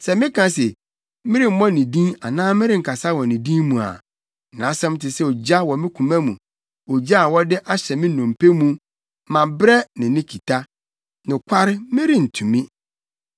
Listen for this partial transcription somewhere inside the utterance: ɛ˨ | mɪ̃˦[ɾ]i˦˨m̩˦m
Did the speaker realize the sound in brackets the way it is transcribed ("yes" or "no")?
yes